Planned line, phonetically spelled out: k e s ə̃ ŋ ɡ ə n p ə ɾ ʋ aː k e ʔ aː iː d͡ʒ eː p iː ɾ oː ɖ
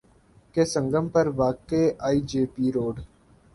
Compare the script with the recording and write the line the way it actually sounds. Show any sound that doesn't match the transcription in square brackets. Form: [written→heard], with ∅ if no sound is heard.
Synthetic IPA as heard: k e s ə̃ ŋ ɡ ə [n→m] p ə ɾ ʋ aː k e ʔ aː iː d͡ʒ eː p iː ɾ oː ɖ